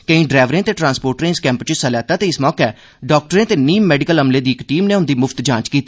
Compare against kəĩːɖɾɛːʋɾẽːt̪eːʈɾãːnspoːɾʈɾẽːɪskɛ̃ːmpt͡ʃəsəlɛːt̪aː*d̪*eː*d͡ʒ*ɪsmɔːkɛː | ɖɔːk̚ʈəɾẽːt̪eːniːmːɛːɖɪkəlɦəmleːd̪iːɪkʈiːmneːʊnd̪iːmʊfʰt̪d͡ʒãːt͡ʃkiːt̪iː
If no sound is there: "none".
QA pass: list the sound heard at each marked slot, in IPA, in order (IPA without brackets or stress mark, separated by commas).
t̪, none